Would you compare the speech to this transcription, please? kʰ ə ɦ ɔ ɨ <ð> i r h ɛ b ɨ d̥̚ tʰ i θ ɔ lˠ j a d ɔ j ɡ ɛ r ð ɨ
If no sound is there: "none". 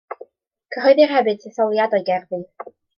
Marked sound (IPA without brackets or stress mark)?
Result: ð